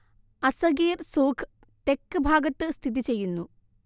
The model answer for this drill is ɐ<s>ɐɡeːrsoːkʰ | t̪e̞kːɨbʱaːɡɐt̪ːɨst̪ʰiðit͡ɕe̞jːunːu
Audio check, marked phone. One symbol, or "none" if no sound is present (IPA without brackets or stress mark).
s